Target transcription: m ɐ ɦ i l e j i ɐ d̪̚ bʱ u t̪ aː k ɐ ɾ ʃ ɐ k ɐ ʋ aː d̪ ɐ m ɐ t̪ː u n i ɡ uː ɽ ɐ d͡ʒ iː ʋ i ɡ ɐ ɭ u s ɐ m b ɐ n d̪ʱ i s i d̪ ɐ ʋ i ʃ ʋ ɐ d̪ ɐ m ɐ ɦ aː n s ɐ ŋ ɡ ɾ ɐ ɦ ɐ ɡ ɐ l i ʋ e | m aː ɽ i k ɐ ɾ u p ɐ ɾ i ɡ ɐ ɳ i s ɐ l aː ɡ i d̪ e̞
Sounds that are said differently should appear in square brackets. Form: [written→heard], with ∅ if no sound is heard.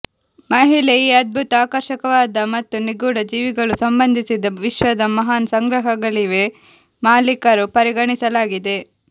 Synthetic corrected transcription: m ɐ ɦ i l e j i ɐ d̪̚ bʱ u t̪ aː k ɐ ɾ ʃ ɐ k ɐ ʋ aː d̪ ɐ m ɐ t̪ː u n i ɡ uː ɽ ɐ d͡ʒ iː ʋ i ɡ ɐ ɭ u s ɐ m b ɐ n d̪ʱ i s i d̪ ɐ ʋ i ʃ ʋ ɐ d̪ ɐ m ɐ ɦ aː n s ɐ ŋ ɡ ɾ ɐ ɦ ɐ ɡ ɐ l i ʋ e | m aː [ɽ→l] i k ɐ ɾ u p ɐ ɾ i ɡ ɐ ɳ i s ɐ l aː ɡ i d̪ e̞